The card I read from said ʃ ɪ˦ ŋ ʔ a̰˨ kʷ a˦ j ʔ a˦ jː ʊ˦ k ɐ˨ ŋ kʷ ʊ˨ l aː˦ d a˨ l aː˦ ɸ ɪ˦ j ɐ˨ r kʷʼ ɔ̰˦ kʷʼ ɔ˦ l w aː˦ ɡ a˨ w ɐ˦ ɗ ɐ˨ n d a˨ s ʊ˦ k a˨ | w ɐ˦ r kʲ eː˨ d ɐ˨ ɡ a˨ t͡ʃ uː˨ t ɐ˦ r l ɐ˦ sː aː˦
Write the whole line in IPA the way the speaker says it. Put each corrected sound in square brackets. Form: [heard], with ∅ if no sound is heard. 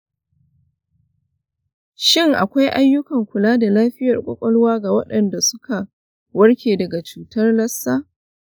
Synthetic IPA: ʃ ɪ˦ ŋ ʔ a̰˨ kʷ a˦ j ʔ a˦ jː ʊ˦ k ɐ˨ ŋ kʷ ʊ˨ l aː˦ d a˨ l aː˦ ɸ ɪ˦ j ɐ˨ r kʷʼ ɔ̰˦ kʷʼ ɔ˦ l w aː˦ ɡ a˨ w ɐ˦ ɗ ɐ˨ n d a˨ s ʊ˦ k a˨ | w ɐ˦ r kʲ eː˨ d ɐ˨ ɡ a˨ t͡ʃ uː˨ t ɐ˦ r l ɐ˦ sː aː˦